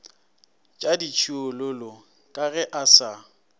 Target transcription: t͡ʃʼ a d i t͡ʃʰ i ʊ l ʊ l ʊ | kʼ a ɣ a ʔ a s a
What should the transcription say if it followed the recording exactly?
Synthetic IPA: t͡ʃʼ a d i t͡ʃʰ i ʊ l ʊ l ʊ | kʼ a ɣ ɛ ʔ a s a